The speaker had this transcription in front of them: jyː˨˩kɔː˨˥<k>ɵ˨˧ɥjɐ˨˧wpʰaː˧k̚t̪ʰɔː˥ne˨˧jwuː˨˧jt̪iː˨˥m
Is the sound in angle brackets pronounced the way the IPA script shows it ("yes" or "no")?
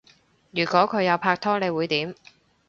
no